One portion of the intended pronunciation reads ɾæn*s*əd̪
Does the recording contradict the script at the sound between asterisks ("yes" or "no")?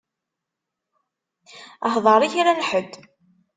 yes